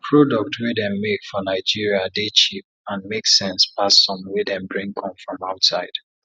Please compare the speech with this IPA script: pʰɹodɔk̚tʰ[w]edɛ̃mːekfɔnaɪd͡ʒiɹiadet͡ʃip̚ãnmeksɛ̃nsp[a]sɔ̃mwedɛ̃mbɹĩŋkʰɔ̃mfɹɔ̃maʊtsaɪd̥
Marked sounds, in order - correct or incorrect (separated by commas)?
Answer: correct, correct